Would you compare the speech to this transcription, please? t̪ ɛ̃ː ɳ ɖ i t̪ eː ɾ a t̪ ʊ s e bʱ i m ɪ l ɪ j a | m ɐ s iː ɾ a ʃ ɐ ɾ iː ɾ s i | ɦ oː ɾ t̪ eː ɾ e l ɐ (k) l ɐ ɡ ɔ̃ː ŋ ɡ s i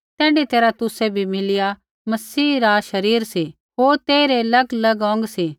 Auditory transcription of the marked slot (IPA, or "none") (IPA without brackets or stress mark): ɡ